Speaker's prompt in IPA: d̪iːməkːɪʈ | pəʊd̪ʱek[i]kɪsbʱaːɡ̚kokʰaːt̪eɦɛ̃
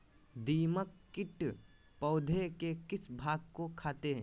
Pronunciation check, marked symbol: incorrect: e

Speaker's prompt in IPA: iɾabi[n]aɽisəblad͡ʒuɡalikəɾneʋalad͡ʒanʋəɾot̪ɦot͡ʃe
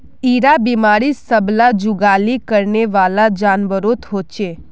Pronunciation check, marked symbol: incorrect: m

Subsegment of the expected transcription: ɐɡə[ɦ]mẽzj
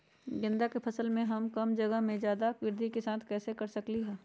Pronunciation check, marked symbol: correct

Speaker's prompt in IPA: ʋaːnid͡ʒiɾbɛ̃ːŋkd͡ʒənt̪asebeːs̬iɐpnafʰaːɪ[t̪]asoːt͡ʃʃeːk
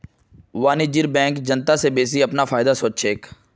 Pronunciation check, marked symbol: incorrect: d̪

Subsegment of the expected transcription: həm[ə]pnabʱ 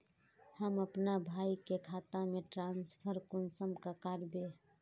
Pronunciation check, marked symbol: correct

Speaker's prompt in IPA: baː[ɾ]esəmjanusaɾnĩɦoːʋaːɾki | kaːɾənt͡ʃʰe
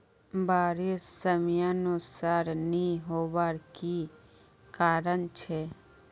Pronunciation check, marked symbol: correct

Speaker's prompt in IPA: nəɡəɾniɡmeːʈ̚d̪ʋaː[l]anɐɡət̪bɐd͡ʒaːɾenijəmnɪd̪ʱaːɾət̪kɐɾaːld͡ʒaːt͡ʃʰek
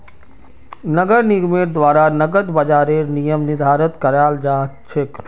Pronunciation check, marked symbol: incorrect: ɾ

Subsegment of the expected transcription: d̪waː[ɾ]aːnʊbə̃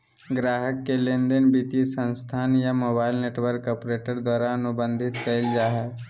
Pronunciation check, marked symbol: correct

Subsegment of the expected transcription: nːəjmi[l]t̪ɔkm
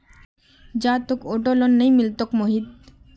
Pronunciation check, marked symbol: correct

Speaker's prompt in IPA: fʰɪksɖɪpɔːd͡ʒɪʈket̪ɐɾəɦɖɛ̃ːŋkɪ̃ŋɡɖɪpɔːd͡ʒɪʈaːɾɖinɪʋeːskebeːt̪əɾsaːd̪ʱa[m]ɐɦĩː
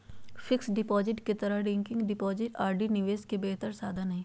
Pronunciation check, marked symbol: incorrect: n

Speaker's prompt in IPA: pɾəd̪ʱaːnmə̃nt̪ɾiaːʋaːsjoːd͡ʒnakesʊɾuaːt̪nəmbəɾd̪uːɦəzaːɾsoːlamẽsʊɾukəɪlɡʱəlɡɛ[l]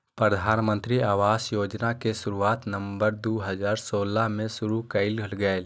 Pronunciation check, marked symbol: correct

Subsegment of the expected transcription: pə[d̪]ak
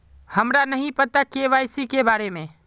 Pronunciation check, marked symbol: incorrect: t̪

